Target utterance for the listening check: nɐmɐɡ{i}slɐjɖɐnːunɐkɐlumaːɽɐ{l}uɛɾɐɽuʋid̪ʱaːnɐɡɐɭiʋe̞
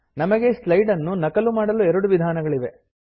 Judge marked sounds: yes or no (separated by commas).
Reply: no, yes